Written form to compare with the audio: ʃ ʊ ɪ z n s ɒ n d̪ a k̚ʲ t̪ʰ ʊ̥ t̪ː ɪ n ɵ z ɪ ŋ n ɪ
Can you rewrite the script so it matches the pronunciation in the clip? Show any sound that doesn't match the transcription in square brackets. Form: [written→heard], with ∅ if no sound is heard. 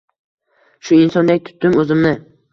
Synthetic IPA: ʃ ʊ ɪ [z→∅] n s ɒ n d̪ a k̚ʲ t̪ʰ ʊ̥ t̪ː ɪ [n→m] ɵ z ɪ [ŋ→m] n ɪ